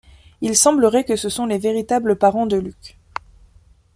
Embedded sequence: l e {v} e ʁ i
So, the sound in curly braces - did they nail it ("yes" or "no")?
yes